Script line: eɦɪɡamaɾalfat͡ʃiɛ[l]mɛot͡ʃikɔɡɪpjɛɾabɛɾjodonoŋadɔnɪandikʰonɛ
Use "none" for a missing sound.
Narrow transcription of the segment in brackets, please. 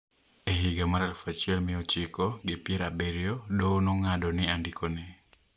l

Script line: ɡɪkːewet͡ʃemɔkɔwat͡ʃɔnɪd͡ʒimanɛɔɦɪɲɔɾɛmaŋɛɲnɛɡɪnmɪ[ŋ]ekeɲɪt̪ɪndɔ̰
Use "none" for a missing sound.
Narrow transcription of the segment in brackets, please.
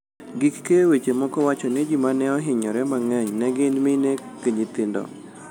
n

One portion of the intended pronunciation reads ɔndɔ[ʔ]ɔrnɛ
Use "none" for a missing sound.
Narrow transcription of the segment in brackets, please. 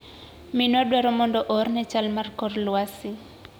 ʔ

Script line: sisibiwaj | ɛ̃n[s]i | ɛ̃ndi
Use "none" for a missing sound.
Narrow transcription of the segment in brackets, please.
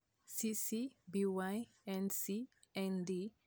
s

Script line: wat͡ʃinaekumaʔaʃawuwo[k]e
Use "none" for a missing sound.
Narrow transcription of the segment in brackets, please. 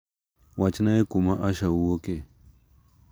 k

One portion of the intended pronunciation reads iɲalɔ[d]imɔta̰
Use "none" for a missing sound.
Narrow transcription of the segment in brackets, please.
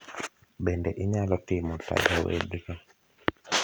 t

